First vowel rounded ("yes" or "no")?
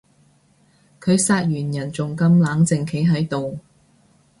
yes